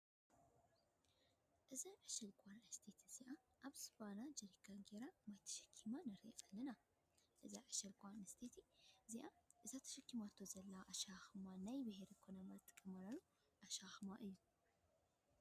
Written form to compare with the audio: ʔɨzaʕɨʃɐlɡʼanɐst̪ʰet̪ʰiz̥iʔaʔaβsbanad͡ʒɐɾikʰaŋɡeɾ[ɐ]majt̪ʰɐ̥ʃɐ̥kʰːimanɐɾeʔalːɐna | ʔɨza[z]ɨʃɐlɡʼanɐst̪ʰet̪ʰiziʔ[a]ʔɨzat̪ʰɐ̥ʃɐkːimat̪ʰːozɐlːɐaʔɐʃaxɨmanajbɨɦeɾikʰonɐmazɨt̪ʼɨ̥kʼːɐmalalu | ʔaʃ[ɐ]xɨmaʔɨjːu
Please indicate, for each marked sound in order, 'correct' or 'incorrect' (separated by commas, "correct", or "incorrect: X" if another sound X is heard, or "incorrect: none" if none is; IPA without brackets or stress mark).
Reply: incorrect: a, incorrect: ʕ, correct, incorrect: a